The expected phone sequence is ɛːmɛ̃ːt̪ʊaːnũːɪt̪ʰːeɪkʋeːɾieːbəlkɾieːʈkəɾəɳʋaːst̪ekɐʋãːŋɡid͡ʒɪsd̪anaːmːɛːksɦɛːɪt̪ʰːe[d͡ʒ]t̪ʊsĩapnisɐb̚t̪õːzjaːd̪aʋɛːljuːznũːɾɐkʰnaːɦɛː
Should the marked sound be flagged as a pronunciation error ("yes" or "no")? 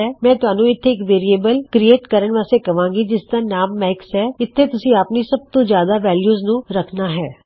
yes